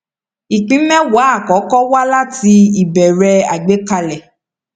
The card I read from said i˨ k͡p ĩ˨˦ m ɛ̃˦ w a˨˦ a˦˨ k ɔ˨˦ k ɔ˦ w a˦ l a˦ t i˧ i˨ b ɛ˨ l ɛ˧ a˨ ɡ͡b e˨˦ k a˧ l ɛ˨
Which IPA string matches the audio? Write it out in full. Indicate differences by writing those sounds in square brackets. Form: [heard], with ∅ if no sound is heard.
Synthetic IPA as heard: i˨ k͡p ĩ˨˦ m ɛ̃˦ w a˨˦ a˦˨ k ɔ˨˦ k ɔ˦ w a˦ l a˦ t i˧ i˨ b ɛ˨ [ɾ] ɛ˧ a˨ ɡ͡b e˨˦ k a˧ l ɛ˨